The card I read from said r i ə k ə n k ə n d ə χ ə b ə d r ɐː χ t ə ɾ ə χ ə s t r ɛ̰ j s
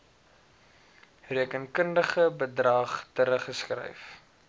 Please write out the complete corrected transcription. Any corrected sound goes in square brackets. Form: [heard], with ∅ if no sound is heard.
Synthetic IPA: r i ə k ə n k ə n d ə χ ə b ə d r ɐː χ t ə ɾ ə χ ə s [k] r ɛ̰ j [f]